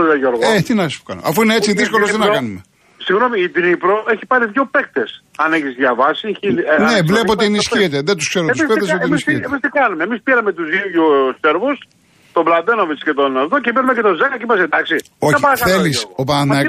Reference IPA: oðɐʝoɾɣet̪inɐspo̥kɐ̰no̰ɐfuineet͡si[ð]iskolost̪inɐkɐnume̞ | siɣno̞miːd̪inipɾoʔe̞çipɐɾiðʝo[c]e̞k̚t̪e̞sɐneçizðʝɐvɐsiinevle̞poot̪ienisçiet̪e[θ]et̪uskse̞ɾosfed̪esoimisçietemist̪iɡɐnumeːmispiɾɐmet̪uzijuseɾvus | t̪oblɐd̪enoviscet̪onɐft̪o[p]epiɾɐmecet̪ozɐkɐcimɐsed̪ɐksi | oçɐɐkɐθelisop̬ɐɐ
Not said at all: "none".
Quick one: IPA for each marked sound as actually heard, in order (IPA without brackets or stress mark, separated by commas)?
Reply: ð, p, ð, c